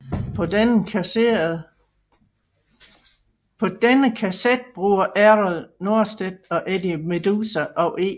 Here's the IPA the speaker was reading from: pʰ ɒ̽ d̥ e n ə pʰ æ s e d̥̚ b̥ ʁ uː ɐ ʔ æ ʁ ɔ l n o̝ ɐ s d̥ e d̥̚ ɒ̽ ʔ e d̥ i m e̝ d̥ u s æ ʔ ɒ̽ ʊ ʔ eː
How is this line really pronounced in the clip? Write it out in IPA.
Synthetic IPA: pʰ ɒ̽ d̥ e n ə kʰ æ s e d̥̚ b̥ ʁ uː ɐ ʔ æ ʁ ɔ l n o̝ ɐ s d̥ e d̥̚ ɒ̽ ʔ e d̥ i m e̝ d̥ u s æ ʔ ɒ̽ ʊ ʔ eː